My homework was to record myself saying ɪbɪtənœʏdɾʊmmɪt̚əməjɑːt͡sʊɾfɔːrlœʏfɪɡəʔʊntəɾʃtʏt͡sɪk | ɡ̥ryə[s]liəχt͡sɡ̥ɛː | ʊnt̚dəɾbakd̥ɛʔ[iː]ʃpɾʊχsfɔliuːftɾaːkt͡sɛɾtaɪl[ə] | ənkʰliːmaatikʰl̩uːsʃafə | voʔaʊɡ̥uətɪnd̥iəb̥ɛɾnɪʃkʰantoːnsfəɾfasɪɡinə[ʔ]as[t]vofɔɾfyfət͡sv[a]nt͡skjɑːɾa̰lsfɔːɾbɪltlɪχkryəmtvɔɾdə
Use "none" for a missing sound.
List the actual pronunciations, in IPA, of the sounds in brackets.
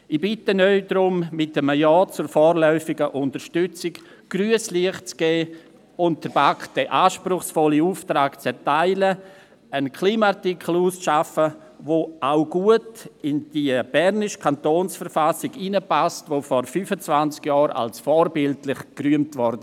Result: s, aː, ə, p, t, a

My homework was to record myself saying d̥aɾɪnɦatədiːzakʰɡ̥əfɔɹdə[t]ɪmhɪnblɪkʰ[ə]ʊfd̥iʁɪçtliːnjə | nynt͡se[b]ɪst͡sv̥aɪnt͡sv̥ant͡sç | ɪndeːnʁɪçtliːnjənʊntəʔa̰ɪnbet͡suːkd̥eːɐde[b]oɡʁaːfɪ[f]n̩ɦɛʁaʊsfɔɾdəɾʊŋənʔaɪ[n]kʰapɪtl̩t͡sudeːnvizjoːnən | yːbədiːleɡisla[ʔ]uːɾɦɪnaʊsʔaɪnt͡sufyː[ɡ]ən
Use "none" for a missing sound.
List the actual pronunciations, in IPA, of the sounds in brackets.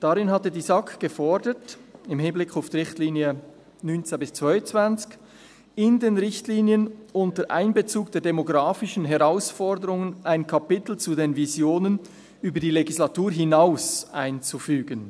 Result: t, a, b, m, ʃ, n, t, ɡ

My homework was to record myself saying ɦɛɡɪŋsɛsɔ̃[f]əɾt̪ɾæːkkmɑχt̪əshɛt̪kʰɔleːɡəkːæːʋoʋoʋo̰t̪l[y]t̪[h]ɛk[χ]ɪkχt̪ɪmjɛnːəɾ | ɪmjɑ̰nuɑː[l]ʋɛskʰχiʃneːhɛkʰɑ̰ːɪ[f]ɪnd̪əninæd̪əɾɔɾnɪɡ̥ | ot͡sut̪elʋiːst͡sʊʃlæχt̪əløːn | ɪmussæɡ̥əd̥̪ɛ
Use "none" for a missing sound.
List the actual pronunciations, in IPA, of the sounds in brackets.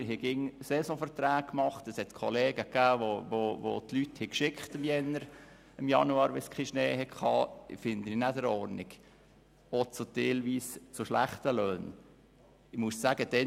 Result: f, y, h, ʃ, ɾ, f

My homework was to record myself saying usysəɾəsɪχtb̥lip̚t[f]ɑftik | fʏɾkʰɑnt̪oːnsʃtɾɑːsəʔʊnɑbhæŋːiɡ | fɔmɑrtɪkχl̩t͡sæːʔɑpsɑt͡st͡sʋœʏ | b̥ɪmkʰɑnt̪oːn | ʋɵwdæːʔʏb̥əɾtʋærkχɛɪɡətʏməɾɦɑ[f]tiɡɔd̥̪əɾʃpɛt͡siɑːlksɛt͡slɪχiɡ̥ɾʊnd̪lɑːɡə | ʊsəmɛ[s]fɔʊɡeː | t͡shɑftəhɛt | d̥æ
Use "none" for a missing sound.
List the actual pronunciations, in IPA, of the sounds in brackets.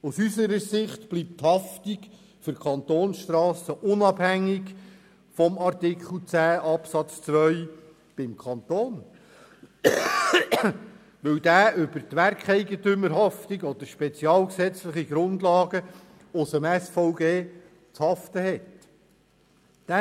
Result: h, f, s

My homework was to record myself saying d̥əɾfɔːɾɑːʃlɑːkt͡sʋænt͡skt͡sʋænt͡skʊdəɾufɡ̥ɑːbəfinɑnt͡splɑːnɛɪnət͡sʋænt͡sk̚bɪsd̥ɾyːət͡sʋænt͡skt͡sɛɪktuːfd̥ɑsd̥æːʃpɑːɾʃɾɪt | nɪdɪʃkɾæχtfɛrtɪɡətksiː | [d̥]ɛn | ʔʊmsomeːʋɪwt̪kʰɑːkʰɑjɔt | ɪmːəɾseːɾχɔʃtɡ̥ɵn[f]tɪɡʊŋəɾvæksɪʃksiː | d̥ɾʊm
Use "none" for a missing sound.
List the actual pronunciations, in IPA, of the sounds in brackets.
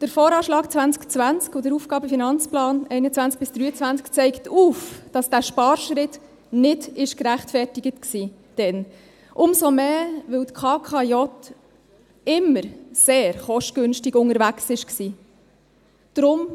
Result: d̥, ʃ

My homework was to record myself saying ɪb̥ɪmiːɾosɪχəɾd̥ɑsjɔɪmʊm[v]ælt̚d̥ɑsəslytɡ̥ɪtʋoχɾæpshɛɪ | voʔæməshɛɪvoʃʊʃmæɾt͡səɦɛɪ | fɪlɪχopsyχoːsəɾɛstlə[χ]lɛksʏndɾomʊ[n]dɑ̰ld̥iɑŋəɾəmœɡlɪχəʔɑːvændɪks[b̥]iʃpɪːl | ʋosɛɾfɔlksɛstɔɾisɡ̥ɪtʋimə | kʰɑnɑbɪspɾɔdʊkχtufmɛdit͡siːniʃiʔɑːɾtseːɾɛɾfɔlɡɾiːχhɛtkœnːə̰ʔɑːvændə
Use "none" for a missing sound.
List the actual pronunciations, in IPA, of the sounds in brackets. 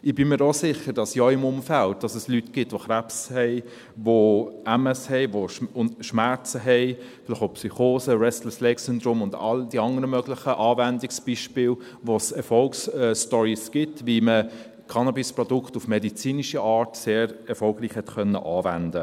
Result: f, s, n, b̥

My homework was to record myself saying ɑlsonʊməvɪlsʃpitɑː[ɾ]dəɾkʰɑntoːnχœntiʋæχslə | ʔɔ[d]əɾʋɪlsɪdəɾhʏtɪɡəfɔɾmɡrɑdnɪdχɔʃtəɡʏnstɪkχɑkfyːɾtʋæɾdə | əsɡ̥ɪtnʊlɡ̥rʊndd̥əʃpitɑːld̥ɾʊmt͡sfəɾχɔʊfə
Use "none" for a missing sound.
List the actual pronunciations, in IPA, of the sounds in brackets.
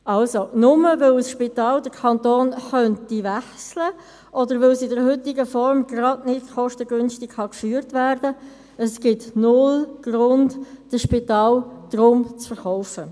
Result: l, d

